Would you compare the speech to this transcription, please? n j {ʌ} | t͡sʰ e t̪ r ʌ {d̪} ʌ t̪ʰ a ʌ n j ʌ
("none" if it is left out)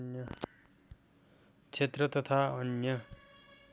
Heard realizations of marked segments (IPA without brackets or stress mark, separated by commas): ʌ, t̪